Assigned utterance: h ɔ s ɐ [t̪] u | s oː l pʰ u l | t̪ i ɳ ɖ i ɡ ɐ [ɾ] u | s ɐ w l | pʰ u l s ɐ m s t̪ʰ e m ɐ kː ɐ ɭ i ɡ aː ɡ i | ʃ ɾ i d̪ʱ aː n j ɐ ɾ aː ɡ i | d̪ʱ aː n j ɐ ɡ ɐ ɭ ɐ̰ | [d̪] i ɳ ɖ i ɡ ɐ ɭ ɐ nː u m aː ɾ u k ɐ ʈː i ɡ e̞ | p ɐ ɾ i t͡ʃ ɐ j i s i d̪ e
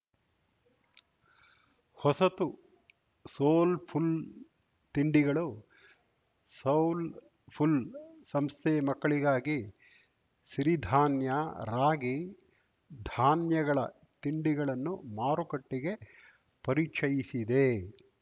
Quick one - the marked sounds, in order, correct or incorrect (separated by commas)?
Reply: correct, incorrect, incorrect